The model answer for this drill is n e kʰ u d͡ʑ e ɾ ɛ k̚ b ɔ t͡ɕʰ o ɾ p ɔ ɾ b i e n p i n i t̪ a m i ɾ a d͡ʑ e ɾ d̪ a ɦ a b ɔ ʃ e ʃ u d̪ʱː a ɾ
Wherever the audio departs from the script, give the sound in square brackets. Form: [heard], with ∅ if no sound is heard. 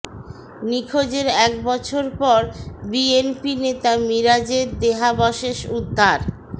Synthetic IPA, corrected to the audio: n [i] kʰ [o] d͡ʑ e ɾ ɛ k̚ b ɔ t͡ɕʰ o ɾ p ɔ ɾ b i e n p i n [e] t̪ a m i ɾ a d͡ʑ e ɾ d̪ [e] ɦ a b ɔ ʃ e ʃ u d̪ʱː a ɾ